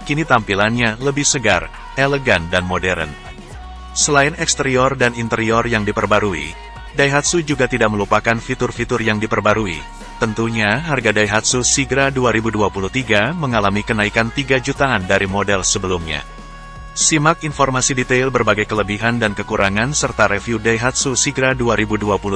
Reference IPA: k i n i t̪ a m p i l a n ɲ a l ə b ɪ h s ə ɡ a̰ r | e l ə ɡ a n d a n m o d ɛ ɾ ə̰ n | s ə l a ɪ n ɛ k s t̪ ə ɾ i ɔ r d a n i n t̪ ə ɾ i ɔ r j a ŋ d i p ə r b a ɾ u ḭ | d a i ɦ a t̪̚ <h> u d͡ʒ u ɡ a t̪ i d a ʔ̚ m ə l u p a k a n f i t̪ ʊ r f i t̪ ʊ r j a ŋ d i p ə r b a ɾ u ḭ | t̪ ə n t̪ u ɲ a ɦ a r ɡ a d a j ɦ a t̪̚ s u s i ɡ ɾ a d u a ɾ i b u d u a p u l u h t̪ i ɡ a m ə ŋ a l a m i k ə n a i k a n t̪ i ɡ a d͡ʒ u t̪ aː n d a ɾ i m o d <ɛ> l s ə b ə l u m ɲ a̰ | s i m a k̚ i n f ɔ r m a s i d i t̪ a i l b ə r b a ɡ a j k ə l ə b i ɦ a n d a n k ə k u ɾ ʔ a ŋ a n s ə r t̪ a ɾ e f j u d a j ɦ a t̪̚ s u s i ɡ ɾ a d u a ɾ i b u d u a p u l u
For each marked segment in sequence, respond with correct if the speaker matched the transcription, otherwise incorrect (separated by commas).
incorrect, correct